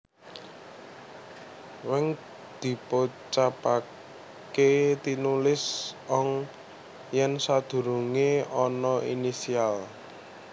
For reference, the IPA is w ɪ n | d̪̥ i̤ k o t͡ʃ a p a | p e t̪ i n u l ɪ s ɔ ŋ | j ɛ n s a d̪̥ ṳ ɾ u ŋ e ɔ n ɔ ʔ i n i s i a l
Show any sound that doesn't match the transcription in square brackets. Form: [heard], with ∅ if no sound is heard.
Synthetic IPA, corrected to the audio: w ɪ [ŋ] | d̪̥ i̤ [p] o t͡ʃ a p a | [k] e t̪ i n u l ɪ s ɔ ŋ | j ɛ n s a d̪̥ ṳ ɾ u ŋ e ɔ n ɔ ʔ i n i s i a l